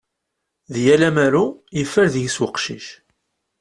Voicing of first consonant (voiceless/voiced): voiced